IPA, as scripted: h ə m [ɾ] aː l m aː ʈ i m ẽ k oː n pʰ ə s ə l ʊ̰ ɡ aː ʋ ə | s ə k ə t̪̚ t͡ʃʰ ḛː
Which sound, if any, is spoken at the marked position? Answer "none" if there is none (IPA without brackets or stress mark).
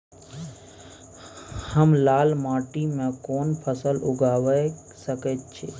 l